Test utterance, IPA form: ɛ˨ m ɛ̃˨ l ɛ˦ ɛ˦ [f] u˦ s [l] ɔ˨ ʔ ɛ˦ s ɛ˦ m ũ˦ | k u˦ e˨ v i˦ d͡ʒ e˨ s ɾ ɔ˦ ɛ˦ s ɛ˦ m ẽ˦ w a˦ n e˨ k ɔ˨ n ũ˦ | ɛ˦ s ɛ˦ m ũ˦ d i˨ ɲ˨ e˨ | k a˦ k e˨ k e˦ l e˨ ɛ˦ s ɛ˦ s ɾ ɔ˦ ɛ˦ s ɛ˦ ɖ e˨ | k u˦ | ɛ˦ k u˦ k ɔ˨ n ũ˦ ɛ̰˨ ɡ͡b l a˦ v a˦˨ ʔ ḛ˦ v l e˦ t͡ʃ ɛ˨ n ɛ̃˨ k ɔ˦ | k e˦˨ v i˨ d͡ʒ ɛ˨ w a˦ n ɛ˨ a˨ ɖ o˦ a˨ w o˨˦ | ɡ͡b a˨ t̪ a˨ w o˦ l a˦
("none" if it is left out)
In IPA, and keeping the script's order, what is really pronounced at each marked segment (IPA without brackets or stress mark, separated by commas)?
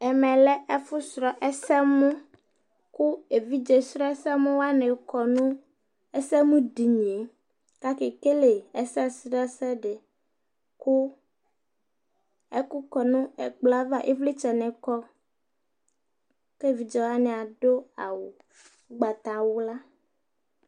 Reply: f, ɾ